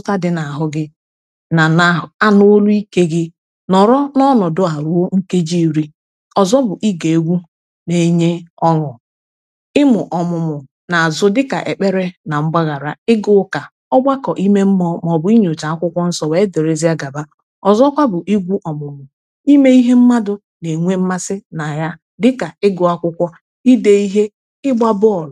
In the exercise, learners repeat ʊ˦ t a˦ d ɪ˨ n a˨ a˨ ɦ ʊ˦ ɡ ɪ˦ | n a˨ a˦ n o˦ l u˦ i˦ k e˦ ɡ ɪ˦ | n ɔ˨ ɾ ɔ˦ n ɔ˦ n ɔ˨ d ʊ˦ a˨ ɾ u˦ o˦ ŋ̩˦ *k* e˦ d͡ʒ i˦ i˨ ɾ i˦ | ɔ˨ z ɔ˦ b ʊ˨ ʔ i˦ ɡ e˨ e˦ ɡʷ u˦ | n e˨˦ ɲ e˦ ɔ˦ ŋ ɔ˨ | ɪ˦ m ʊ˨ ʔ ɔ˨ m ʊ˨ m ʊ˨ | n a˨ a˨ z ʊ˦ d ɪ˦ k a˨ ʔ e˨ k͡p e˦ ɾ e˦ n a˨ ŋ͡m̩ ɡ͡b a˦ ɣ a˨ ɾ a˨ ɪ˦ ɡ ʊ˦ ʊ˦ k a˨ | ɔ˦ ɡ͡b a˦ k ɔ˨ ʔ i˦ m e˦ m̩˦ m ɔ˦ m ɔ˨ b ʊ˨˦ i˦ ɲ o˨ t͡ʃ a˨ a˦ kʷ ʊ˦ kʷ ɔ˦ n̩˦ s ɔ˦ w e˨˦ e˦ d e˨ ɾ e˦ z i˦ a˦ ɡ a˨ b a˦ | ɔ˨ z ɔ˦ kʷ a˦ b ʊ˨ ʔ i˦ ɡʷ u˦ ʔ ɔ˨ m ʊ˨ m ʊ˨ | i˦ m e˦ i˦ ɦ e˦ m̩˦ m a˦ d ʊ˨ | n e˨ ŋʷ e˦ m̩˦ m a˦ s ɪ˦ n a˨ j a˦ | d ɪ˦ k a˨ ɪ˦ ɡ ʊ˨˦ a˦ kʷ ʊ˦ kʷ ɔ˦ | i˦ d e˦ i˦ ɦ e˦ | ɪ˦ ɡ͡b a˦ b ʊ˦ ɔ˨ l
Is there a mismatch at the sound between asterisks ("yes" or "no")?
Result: no